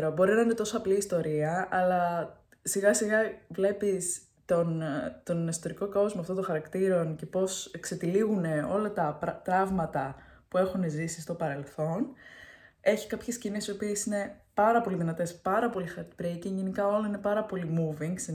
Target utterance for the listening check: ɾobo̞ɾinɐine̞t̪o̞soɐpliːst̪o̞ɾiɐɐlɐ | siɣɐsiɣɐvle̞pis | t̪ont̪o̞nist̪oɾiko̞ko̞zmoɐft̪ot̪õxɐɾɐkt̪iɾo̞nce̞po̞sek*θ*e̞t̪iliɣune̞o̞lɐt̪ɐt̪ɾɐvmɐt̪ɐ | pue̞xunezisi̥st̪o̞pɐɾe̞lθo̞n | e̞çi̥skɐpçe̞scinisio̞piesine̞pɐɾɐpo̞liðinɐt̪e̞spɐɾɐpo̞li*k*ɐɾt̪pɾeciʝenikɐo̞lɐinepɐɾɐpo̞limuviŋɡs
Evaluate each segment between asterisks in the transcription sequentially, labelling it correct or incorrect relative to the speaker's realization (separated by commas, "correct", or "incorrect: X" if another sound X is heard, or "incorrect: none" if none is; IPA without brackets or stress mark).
incorrect: s, incorrect: x